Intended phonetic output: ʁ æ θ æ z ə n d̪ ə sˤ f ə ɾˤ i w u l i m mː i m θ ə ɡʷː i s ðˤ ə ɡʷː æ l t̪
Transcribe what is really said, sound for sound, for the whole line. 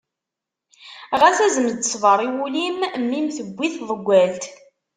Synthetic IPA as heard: ʁ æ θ æ z ə m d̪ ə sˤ v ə ɾˤ i w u l i m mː i m θ ə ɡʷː i θ ðˤ ə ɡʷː æ l t̪